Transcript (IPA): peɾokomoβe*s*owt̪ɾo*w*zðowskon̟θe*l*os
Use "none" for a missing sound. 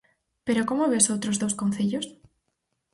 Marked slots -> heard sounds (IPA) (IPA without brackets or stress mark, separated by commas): s, none, ʎ